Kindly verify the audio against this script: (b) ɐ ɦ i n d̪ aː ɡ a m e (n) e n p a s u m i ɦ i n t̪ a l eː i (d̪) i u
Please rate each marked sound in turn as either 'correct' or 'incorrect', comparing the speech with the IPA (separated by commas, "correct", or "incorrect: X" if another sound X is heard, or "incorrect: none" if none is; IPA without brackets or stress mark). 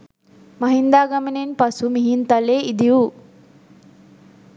incorrect: m, correct, correct